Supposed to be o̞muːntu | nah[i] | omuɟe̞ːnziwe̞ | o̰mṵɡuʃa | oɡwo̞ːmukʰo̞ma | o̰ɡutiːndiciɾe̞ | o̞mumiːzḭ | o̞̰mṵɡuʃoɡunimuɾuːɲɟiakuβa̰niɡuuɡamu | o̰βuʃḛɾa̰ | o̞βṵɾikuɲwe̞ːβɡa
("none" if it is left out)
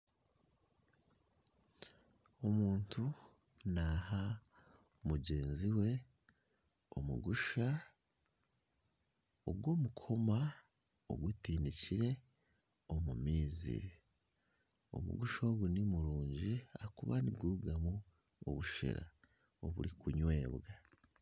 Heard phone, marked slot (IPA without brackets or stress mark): a